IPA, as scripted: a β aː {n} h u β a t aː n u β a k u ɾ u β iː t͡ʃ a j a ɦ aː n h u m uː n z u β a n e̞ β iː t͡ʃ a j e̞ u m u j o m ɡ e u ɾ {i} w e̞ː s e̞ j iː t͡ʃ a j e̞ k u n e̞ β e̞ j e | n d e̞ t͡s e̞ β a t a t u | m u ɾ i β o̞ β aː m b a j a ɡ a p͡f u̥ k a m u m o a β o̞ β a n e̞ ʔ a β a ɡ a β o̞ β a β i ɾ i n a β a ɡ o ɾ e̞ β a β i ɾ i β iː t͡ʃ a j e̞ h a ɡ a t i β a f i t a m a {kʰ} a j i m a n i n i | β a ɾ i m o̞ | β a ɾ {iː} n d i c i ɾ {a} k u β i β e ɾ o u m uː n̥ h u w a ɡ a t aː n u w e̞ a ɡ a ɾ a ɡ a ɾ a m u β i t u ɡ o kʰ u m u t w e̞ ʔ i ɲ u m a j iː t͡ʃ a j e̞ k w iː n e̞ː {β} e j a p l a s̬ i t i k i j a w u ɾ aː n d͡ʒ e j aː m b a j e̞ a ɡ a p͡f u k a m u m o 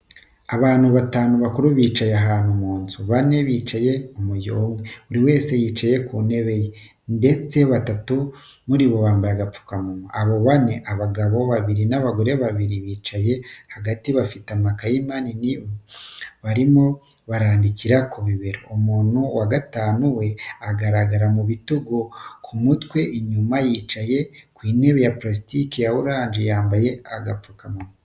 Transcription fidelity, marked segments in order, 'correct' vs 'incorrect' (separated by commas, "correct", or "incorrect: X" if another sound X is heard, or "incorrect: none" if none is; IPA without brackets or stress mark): correct, correct, incorrect: k, incorrect: aː, correct, correct